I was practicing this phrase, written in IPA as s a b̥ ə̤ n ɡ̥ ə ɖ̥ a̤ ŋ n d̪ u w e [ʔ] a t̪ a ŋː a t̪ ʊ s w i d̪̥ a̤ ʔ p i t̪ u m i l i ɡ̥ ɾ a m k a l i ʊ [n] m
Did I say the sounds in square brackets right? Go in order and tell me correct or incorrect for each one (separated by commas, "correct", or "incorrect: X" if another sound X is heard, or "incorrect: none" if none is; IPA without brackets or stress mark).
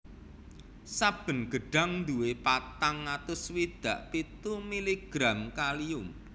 incorrect: p, incorrect: none